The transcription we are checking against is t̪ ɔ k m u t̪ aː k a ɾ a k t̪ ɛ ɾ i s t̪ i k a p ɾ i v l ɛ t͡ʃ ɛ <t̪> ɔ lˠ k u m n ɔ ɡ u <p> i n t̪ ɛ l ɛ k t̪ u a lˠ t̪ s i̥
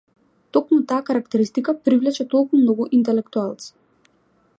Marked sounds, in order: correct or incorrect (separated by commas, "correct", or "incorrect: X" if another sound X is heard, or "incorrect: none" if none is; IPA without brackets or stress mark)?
correct, incorrect: ʔ